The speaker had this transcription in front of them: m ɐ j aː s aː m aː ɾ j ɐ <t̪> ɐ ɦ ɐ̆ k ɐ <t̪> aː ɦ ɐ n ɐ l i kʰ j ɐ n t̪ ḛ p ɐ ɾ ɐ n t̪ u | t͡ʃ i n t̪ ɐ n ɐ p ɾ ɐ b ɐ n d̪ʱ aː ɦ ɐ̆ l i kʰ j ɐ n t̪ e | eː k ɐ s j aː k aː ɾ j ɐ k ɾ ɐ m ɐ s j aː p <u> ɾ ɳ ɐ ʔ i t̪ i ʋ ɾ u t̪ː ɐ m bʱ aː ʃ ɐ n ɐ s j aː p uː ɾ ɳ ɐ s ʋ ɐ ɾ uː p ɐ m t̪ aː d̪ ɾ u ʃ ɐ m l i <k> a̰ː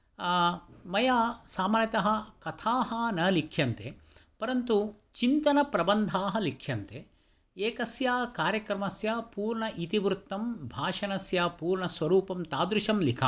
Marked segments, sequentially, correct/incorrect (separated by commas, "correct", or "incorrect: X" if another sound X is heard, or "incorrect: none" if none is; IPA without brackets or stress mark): correct, incorrect: t̪ʰ, incorrect: uː, incorrect: kʰ